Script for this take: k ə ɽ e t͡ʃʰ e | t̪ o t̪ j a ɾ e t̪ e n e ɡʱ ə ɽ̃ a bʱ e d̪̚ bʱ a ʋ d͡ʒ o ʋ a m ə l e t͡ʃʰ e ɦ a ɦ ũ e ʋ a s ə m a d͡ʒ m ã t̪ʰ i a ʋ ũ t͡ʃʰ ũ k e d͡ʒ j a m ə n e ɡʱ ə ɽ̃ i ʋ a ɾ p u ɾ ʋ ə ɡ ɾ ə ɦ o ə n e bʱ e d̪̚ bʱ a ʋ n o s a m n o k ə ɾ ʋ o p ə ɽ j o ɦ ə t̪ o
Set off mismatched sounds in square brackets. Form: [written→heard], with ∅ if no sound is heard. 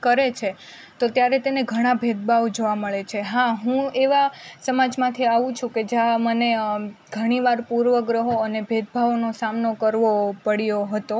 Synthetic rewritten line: k ə [ɽ→ɾ] e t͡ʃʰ e | t̪ o t̪ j a ɾ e t̪ e n e ɡʱ ə ɽ̃ a bʱ e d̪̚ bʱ a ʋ d͡ʒ o ʋ a m ə [l→ɭ] e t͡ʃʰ e ɦ a ɦ ũ e ʋ a s ə m a d͡ʒ m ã t̪ʰ i a ʋ ũ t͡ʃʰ ũ k e d͡ʒ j a m ə n e ɡʱ ə ɽ̃ i ʋ a ɾ p u ɾ ʋ ə ɡ ɾ ə ɦ o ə n e bʱ e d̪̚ bʱ a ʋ n o s a m n o k ə ɾ ʋ o p ə ɽ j o ɦ ə t̪ o